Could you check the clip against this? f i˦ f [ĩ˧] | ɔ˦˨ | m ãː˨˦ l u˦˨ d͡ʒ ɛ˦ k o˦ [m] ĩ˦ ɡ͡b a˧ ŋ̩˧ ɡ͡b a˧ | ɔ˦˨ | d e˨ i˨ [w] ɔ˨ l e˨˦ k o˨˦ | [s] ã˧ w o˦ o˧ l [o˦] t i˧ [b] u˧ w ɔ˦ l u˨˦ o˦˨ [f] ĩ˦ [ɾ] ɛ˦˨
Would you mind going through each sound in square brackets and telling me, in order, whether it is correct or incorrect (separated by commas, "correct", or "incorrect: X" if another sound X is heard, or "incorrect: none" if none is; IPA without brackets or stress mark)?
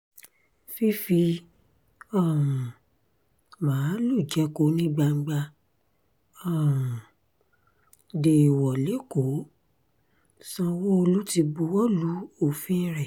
incorrect: i˧, incorrect: n, correct, correct, incorrect: u˦, correct, correct, correct